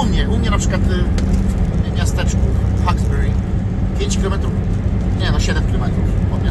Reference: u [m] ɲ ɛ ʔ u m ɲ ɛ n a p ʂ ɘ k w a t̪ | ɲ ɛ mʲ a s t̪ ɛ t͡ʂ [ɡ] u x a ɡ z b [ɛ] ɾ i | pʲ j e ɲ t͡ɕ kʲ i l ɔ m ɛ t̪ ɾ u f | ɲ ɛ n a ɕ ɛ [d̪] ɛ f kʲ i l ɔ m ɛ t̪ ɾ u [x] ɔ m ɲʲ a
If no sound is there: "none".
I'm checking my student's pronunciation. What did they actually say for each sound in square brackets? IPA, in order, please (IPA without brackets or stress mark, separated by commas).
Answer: m, k, ɛ, d̪, f